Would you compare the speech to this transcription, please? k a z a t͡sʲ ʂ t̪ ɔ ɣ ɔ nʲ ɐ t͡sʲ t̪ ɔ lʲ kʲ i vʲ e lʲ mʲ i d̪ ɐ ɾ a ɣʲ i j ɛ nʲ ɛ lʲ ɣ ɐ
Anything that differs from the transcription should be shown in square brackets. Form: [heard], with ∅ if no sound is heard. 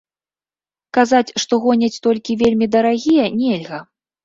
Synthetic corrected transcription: k a z a t͡sʲ ʂ t̪ ɔ ɣ ɔ nʲ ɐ t͡sʲ t̪ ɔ lʲ kʲ i vʲ e lʲ mʲ i d̪ ɐ ɾ a ɣʲ i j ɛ nʲ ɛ lʲ ɣ ɐ